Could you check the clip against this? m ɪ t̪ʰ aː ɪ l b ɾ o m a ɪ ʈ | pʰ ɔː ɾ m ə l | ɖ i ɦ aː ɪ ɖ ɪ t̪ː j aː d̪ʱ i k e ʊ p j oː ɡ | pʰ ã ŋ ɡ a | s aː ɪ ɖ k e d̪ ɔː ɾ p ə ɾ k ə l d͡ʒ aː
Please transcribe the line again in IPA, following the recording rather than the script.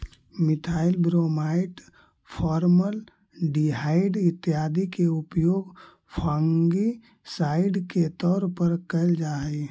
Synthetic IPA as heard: m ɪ t̪ʰ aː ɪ l b ɾ o m a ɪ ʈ | pʰ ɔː ɾ m ə l | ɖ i ɦ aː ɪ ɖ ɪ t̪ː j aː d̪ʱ i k e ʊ p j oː ɡ | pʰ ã ŋ ɡ i | s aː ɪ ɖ k e t̪ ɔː ɾ p ə ɾ k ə l d͡ʒ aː